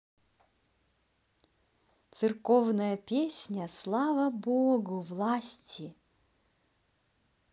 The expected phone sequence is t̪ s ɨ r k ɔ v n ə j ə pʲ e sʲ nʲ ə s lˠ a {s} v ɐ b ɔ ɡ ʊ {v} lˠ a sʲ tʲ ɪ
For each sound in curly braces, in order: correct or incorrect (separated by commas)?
incorrect, correct